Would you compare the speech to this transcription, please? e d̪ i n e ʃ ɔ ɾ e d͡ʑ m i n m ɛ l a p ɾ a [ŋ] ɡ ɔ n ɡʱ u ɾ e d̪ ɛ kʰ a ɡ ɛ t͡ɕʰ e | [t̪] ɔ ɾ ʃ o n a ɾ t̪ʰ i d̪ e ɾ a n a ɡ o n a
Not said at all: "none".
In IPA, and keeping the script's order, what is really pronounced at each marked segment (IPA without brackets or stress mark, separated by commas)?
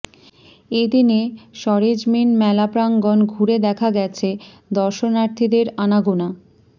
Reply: ŋ, d̪